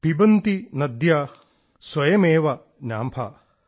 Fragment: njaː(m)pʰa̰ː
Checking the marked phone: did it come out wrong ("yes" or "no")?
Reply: no